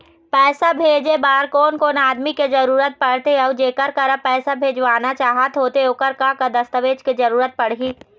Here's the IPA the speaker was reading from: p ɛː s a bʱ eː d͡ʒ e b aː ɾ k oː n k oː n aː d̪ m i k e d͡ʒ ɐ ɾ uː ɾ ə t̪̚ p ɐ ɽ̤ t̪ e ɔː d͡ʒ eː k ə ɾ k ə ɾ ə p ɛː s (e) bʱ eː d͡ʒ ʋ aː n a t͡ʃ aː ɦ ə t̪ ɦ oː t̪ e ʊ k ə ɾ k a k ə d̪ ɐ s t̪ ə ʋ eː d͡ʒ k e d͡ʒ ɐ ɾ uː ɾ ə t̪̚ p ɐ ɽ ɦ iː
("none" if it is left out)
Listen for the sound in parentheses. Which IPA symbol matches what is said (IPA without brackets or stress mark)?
a